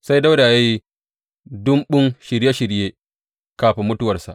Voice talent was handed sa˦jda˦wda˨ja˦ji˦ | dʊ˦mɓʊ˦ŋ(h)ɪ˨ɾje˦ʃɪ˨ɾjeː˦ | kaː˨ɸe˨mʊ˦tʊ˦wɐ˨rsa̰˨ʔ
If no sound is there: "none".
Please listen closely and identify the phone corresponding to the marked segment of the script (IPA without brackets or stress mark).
ʃ